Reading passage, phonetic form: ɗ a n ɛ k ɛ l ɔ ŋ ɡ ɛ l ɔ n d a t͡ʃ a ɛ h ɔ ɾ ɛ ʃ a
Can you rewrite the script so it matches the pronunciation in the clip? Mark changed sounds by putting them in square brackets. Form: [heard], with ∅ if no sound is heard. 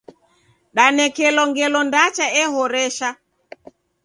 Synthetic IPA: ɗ a n ɛ k ɛ l ɔ ŋ ɡ ɛ l ɔ n d a t͡ʃ a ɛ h ɔ ɾ ɛ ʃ a